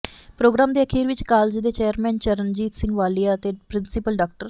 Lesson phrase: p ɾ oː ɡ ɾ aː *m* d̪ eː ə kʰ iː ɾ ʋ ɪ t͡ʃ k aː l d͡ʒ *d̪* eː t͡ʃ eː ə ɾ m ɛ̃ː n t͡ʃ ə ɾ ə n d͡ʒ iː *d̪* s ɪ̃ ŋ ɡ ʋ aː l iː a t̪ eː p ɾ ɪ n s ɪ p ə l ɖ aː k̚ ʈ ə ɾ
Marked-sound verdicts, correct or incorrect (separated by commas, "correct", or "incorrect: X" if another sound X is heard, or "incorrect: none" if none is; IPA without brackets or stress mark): correct, correct, incorrect: t̪